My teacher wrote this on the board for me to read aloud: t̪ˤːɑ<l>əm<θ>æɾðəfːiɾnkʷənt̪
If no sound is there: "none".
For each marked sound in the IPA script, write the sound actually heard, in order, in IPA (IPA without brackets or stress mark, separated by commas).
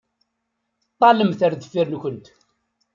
l, θ